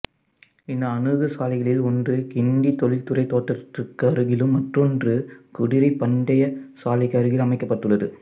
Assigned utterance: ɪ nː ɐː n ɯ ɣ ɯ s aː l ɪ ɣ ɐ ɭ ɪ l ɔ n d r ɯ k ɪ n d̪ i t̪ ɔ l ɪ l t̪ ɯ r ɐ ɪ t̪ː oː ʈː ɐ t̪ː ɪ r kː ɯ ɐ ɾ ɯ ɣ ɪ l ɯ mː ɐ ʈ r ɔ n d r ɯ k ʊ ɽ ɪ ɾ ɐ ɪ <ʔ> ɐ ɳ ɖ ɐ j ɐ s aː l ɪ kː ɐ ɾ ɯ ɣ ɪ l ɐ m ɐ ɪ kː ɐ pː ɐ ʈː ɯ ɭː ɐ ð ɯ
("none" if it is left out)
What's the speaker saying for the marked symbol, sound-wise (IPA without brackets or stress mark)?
p